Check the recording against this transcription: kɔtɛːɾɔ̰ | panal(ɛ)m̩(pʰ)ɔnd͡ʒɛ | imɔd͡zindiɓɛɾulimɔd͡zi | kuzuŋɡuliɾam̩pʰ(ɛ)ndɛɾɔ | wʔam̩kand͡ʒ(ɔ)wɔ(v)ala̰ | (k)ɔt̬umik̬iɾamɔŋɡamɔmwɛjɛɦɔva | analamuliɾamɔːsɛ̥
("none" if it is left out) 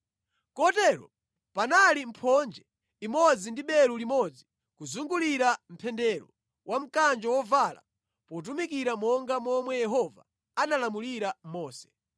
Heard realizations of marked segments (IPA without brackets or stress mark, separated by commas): i, pʰ, ɛ, ɔ, v, p